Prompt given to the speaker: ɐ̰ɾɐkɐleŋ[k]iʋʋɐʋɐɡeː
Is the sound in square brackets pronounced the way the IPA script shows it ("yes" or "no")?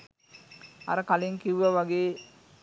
yes